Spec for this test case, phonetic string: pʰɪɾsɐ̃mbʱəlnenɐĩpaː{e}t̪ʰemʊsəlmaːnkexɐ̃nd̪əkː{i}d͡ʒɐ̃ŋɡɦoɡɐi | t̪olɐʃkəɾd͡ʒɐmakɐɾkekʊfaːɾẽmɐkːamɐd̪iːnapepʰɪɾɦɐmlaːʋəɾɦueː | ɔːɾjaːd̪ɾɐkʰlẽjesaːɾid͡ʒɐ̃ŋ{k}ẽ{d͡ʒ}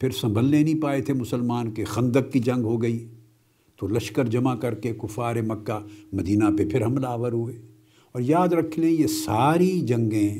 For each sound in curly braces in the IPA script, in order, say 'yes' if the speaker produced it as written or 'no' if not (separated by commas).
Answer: yes, yes, no, no